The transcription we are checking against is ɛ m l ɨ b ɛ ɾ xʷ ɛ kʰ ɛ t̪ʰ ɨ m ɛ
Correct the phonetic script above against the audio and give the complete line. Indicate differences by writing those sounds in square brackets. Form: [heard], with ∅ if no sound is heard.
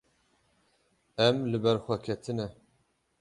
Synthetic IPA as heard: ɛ m l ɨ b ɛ ɾ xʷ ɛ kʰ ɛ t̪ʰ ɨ [n] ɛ